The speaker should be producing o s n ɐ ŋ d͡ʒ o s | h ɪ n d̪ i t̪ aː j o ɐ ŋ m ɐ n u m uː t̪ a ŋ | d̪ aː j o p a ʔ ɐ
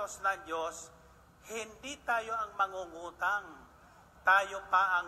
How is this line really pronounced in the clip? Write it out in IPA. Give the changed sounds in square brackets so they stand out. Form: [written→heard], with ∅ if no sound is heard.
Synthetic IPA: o s n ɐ ŋ d͡ʒ o s | h ɪ n d̪ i t̪ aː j o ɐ ŋ m ɐ [n→ŋ] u [m→ŋ] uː t̪ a ŋ | [d̪→t̪] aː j o p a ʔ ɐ

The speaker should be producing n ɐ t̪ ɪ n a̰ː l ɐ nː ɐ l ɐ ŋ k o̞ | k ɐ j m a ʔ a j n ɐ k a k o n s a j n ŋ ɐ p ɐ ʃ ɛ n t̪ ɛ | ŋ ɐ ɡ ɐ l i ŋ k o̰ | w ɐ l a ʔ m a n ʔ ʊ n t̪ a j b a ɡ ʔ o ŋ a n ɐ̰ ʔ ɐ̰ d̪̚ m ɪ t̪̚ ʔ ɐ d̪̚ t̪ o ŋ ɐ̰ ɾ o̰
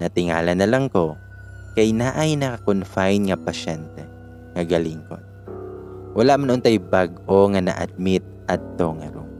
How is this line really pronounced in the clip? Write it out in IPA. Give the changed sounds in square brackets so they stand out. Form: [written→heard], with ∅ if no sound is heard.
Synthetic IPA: n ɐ t̪ ɪ [n→ŋ] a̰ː l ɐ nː ɐ l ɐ ŋ k o̞ | k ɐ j [m→n] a ʔ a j n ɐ k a k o n [s→f] a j n ŋ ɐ p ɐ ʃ ɛ n t̪ ɛ | ŋ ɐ ɡ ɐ l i ŋ k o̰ | w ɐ l a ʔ m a n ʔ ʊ n t̪ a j b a ɡ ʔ o ŋ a n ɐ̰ ʔ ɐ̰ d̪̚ m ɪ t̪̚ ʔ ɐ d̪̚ t̪ o ŋ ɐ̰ ɾ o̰

